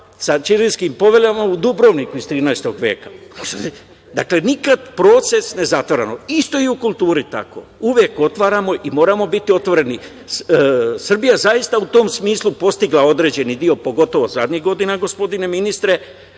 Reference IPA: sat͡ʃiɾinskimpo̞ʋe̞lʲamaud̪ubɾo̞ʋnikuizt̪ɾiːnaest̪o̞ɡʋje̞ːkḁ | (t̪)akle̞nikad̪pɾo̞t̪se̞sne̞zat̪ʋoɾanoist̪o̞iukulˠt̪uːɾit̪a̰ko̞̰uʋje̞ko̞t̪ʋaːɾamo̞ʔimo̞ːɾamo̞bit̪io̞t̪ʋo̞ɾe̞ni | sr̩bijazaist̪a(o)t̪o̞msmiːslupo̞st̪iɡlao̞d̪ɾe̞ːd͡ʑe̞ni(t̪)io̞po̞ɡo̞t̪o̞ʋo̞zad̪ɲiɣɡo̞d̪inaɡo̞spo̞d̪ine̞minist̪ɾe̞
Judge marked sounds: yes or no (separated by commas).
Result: no, no, no